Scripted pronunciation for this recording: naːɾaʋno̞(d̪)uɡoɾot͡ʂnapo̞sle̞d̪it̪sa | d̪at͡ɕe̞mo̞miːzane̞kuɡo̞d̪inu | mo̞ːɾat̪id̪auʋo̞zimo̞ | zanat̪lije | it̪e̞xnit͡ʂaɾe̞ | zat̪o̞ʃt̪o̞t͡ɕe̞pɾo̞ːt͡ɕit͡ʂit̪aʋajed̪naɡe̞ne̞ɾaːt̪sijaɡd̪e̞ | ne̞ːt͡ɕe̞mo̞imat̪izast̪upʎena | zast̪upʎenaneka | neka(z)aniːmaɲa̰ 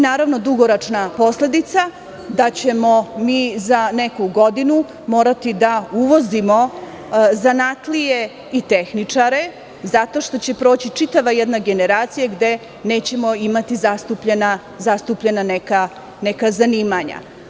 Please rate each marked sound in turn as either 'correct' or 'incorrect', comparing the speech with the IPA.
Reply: correct, correct

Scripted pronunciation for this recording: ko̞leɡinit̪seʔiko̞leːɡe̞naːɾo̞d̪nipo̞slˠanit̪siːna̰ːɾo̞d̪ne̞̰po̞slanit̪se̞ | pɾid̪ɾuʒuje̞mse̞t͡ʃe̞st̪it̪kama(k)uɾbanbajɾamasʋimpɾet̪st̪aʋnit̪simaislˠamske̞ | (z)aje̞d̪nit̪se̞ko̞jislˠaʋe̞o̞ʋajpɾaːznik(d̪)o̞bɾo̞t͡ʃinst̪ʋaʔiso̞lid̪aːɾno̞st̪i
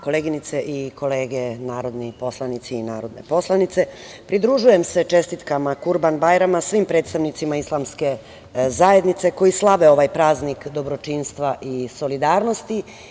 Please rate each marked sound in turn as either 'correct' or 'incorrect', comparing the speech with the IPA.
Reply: correct, correct, correct

